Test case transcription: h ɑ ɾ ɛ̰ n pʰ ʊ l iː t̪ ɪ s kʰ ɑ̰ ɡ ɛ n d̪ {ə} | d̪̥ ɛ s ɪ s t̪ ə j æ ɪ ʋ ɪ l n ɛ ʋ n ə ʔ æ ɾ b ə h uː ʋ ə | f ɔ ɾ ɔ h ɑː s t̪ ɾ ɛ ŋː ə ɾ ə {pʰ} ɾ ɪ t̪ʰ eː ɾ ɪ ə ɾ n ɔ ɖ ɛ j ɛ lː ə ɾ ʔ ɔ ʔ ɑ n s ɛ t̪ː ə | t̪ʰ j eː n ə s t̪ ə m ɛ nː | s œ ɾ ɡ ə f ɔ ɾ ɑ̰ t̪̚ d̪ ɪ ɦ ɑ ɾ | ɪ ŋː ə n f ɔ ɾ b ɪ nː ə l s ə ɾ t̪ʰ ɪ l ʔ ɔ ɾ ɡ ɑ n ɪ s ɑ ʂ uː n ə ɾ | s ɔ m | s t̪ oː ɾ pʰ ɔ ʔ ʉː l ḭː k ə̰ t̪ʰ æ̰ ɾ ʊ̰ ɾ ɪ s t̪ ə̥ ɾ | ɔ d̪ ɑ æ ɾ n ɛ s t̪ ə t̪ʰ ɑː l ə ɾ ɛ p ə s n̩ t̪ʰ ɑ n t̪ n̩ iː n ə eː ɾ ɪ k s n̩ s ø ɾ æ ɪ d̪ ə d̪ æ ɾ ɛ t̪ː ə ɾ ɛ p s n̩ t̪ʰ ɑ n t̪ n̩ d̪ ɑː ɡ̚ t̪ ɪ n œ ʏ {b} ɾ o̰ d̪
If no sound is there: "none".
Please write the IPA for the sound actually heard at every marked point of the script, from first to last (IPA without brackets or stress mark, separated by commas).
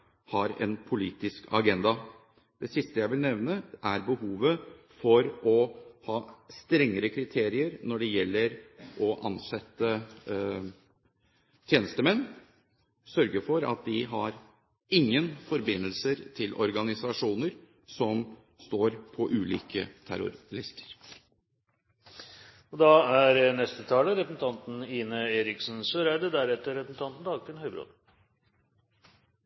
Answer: ɑ, kʰ, b